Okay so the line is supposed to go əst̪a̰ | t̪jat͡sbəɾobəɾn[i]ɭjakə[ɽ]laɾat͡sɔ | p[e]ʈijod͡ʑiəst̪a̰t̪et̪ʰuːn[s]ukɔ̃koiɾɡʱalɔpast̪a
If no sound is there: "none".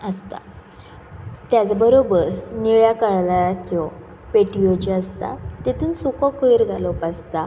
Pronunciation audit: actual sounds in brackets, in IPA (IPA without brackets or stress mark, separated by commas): i, ɭ, e, s